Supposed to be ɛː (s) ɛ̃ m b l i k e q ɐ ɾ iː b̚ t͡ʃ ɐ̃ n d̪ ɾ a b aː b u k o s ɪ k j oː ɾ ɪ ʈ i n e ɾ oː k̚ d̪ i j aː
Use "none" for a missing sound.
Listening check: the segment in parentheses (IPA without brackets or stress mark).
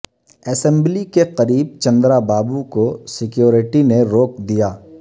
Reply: s